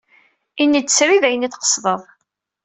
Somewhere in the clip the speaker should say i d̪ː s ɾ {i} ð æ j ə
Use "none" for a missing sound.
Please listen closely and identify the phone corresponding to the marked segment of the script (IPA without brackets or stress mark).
i